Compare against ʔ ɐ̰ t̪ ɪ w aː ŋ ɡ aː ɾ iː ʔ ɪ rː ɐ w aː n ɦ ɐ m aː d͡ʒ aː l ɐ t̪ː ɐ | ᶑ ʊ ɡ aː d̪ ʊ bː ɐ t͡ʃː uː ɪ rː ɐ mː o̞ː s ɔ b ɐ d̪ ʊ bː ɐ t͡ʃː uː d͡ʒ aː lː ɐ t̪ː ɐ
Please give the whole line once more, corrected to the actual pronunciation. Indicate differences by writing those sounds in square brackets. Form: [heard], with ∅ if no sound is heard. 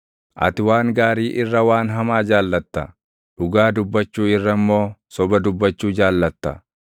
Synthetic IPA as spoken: ʔ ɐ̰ t̪ ɪ w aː ŋ ɡ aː ɾ iː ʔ ɪ rː ɐ w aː n ɦ ɐ m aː d͡ʒ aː [lː] ɐ t̪ː ɐ | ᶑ ʊ ɡ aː d̪ ʊ bː ɐ t͡ʃː uː ɪ rː ɐ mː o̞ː s ɔ b ɐ d̪ ʊ bː ɐ t͡ʃː uː d͡ʒ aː lː ɐ t̪ː ɐ